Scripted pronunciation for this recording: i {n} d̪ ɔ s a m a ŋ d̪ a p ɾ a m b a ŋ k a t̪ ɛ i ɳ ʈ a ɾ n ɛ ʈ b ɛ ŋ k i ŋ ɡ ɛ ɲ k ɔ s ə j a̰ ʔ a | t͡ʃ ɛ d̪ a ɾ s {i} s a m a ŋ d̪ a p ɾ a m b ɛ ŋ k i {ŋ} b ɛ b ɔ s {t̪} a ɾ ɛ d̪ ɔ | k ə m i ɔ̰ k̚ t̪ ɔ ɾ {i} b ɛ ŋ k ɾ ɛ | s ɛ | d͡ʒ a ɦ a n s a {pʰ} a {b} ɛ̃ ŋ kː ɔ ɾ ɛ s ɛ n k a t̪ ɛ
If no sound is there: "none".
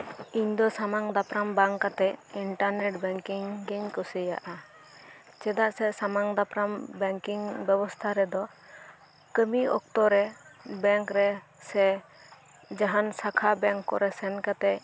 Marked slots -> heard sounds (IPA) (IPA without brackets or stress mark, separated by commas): ɲ, ɛ, ŋ, t̪ʰ, ɛ, kʰ, b